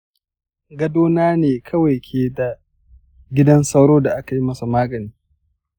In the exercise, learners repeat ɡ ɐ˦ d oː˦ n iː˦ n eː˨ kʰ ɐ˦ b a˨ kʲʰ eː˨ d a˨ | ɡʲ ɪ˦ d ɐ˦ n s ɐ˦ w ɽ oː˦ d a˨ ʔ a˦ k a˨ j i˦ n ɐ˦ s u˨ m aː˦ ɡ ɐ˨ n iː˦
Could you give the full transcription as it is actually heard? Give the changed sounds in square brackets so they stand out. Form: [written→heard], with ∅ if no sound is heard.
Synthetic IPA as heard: ɡ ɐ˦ d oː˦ n [iː˦→aː˦] n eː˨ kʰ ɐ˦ [b→w] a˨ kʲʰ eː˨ d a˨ | ɡʲ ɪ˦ d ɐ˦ n s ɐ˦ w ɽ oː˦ d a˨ ʔ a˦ k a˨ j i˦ [n→m] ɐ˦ s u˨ m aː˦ ɡ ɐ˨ n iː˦